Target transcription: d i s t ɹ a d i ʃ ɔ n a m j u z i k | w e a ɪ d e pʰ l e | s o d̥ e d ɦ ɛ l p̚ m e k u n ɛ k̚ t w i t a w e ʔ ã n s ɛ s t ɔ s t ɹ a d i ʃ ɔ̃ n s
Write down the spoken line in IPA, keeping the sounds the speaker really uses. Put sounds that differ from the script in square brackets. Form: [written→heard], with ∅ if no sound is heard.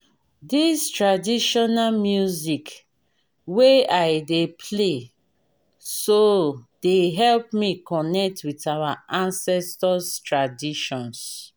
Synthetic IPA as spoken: d i s t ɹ a d i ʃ ɔ n a m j u z i k | w e a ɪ d e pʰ l e | s o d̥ e [d→∅] ɦ ɛ l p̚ m [e→i] k [u→ɔ] n ɛ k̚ t w i t a w [e→a] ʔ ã n s ɛ s t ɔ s t ɹ a d i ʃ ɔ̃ n s